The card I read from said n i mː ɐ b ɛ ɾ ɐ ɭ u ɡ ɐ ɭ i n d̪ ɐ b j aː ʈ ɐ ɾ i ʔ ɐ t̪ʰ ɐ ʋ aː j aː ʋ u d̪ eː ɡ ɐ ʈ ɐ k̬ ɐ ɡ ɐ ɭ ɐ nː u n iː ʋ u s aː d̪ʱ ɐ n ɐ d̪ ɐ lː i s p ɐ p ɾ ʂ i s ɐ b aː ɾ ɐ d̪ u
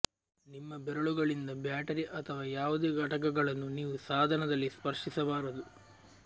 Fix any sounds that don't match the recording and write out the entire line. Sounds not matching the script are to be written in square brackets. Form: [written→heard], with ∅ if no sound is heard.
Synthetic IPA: n i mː ɐ b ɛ ɾ ɐ ɭ u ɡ ɐ ɭ i n d̪ ɐ b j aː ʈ ɐ ɾ i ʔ ɐ t̪ʰ ɐ ʋ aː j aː ʋ u d̪ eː ɡ ɐ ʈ ɐ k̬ ɐ ɡ ɐ ɭ ɐ nː u n iː ʋ u s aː d̪ʱ ɐ n ɐ d̪ ɐ lː i s p ɐ [p→∅] ɾ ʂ i s ɐ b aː ɾ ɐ d̪ u